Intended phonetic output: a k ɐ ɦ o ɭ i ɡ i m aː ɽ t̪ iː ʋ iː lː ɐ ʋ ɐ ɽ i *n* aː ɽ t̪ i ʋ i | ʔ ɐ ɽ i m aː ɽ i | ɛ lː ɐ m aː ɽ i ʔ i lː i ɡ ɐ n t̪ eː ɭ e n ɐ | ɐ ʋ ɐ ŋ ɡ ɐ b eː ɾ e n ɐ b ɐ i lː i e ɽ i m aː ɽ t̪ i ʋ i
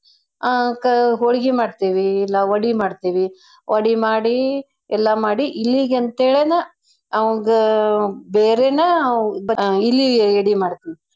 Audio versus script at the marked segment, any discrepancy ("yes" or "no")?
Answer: yes